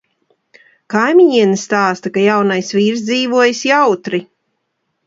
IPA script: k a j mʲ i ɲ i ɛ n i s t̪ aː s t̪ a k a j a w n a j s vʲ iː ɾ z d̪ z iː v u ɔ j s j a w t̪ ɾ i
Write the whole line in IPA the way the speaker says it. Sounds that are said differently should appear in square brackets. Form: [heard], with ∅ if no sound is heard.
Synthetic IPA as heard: k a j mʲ i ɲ i ɛ n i s t̪ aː s t̪ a k a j a w n a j s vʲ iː ɾ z d̪ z iː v u ɔ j s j a w t̪ ɾ i